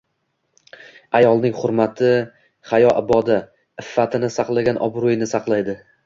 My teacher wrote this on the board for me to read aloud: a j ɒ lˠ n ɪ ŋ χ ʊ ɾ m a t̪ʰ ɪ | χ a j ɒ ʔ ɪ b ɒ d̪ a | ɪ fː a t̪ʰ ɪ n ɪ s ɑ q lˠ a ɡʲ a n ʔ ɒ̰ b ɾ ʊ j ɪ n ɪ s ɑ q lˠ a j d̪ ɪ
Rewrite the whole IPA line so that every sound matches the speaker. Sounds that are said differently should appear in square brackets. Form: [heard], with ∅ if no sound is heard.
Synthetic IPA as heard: a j ɒ lˠ n ɪ ŋ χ ʊ ɾ m a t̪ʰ ɪ | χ a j ɒ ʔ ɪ b ɒ d̪ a | ɪ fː a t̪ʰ ɪ n ɪ s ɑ q lˠ a ɡʲ a n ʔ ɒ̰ b ɾ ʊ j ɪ n ɪ s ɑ q lˠ a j d̪ ɪ

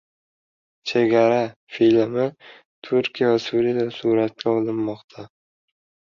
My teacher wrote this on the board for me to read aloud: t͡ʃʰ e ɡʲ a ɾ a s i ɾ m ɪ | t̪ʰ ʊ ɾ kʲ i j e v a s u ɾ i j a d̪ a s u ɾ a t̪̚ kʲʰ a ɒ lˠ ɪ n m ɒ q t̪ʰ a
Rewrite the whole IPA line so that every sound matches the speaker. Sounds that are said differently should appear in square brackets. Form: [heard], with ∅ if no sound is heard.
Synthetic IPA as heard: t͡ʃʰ e ɡʲ a ɾ a [f] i [l] m ɪ | t̪ʰ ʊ ɾ kʲ i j [a] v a s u ɾ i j a d̪ a s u ɾ a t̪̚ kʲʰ a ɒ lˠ ɪ n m ɒ q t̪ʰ a

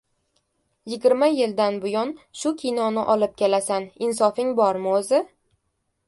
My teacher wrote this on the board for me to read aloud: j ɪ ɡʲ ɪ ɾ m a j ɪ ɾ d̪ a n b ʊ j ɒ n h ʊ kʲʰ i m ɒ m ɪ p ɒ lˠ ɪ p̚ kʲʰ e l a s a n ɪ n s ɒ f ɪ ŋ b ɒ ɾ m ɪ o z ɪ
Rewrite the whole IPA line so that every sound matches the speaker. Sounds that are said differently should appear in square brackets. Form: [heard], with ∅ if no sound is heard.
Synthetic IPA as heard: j ɪ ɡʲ ɪ ɾ m a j ɪ [l] d̪ a n b ʊ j ɒ n [ʃ] ʊ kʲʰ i [n] ɒ [n] ɪ [ʔ] ɒ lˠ ɪ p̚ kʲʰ e l a s a n ɪ n s ɒ f ɪ ŋ b ɒ ɾ m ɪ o z ɪ

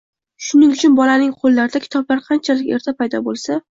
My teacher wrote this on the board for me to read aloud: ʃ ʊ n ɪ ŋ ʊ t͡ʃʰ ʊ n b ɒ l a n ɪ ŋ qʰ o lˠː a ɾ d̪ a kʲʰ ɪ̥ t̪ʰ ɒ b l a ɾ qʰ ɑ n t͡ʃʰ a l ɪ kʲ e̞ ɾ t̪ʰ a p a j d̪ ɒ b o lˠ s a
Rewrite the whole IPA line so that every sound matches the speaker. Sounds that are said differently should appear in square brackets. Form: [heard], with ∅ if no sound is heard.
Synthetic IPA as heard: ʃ ʊ n ɪ ŋ ʊ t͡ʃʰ ʊ n b ɒ l a n ɪ ŋ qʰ o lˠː a ɾ d̪ a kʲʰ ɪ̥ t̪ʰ ɒ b l a ɾ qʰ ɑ n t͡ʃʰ a l ɪ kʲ e̞ ɾ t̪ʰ a p a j d̪ ɒ b o lˠ s a

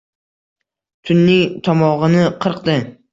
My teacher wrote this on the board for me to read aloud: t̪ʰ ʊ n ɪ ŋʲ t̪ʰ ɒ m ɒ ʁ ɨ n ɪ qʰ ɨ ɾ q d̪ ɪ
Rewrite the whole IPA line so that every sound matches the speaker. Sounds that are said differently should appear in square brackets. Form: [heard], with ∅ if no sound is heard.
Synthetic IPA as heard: t̪ʰ ʊ [nː] ɪ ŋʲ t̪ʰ ɒ m ɒ ʁ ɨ n ɪ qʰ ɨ ɾ q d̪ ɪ

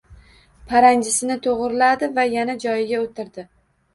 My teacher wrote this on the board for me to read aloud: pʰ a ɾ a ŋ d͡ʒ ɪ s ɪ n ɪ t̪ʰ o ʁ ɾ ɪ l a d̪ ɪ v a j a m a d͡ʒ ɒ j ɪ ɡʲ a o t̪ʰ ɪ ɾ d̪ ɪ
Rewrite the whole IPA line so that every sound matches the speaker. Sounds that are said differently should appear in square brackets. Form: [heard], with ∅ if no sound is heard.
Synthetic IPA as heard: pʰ a ɾ a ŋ d͡ʒ ɪ s ɪ n ɪ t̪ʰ o ʁ ɾ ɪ l a d̪ ɪ v a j a [n] a d͡ʒ ɒ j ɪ ɡʲ a o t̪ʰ ɪ ɾ d̪ ɪ

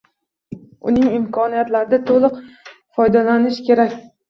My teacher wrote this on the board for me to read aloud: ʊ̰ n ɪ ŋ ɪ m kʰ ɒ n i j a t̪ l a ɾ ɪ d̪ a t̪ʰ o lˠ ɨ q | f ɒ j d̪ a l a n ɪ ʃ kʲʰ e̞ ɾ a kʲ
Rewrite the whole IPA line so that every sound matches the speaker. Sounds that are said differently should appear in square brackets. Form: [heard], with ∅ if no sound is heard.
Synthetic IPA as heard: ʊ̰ n ɪ ŋ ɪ m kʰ ɒ n i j a t̪ l a ɾ ɪ d̪ a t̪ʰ o lˠ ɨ q | f ɒ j d̪ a l a n ɪ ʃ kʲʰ e̞ ɾ a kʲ

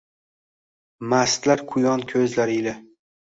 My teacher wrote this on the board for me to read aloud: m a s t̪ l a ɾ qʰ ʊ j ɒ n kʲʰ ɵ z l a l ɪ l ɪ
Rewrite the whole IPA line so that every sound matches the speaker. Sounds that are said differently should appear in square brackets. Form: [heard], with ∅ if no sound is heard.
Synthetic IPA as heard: m a s t̪ l a ɾ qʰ ʊ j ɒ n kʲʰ ɵ z l a [ɾ] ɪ l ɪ

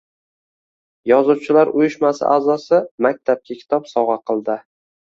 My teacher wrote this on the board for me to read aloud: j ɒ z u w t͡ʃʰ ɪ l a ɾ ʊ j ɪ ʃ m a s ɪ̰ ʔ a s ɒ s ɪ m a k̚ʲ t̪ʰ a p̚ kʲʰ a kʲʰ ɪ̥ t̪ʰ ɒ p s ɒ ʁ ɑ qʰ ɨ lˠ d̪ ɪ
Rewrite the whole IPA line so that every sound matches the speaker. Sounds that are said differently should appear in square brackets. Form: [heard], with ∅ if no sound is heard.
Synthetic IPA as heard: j ɒ z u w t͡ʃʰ ɪ l a ɾ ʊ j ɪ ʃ m a s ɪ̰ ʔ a [z] ɒ s ɪ m a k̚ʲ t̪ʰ a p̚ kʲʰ a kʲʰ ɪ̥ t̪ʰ ɒ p s ɒ ʁ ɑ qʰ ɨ lˠ d̪ ɪ

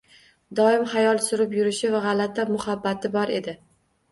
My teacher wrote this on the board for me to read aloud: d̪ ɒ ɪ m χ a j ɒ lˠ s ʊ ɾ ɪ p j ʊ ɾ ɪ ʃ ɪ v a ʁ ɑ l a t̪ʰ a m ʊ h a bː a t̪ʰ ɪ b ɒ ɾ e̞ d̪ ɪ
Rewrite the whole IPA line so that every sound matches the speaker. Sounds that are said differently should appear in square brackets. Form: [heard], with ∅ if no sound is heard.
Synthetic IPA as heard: d̪ ɒ ɪ m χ a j ɒ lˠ s ʊ ɾ ɪ p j ʊ ɾ ɪ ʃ ɪ v a ʁ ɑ l a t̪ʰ a m ʊ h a bː a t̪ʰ ɪ b ɒ ɾ e̞ d̪ ɪ

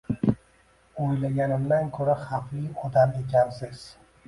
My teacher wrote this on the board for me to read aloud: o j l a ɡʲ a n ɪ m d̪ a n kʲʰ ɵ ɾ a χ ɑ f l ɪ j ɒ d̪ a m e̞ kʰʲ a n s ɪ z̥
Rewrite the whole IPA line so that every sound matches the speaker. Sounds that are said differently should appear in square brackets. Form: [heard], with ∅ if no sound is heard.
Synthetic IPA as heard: o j l a ɡʲ a n ɪ m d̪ a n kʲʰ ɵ ɾ a χ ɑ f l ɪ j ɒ d̪ a m e̞ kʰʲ a n s ɪ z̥

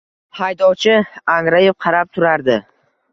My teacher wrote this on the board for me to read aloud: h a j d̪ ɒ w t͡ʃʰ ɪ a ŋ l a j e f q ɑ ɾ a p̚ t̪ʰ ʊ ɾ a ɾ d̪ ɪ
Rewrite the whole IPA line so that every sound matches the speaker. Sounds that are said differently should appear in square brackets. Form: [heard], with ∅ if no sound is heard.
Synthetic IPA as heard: h a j d̪ ɒ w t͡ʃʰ ɪ a ŋ [ɾ] a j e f [qʰ] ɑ ɾ a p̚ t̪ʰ ʊ ɾ a ɾ d̪ ɪ

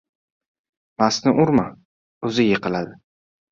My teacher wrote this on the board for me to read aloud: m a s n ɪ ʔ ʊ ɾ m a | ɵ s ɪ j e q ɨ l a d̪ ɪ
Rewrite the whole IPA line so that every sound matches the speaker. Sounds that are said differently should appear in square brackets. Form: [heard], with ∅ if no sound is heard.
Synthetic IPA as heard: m a s n ɪ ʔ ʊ ɾ m a | ɵ [z] ɪ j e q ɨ l a d̪ ɪ

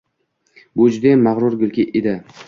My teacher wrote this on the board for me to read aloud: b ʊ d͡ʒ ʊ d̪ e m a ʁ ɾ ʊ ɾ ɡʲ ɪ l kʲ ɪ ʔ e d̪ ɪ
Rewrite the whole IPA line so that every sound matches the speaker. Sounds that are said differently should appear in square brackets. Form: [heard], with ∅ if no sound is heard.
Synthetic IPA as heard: b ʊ d͡ʒ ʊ d̪ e m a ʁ ɾ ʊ ɾ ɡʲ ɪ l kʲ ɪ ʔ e d̪ ɪ

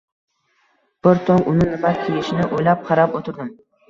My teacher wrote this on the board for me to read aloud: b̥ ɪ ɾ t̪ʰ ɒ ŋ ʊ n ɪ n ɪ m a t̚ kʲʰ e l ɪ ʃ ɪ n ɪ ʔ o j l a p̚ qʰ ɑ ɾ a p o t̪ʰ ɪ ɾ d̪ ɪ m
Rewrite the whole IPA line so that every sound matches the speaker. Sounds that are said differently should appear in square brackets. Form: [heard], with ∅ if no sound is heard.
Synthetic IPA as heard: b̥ ɪ ɾ t̪ʰ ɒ ŋ ʊ n ɪ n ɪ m a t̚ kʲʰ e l ɪ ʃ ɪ n ɪ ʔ o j l a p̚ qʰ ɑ ɾ a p o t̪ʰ ɪ ɾ d̪ ɪ m

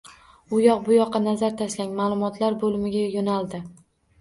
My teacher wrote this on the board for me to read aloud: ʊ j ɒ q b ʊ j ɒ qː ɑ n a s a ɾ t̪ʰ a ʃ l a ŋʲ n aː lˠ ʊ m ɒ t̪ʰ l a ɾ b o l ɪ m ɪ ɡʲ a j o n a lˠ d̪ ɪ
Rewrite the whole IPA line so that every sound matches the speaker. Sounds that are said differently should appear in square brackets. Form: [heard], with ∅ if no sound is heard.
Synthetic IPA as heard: ʊ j ɒ q b ʊ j ɒ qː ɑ n a [z] a ɾ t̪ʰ a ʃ l a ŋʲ [m] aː lˠ ʊ m ɒ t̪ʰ l a ɾ b o l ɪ m ɪ ɡʲ a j o n a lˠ d̪ ɪ

